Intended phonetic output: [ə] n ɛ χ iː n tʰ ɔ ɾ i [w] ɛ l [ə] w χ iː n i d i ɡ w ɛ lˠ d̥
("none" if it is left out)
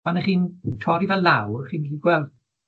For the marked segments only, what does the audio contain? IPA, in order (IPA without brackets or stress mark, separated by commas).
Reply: a, v, a